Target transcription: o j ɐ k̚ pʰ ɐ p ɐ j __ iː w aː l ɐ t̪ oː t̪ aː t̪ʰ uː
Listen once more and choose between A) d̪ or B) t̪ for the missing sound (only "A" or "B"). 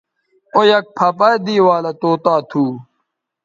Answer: A